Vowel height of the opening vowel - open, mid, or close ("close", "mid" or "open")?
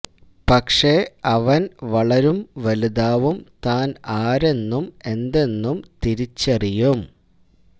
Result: open